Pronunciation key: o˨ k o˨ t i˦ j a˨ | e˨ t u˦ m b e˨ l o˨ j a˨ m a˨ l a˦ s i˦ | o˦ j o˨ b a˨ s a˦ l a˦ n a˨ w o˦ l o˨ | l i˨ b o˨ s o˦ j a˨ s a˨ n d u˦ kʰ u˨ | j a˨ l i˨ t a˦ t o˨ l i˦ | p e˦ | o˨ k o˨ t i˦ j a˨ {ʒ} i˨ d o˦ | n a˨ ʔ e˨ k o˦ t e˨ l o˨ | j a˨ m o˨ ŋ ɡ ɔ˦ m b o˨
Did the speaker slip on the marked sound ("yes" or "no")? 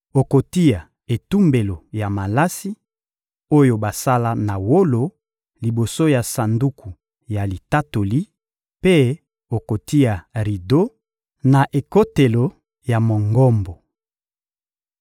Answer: yes